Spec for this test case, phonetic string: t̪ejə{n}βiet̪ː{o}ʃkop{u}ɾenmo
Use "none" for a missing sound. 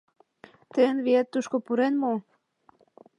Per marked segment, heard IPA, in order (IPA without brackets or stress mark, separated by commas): n, u, u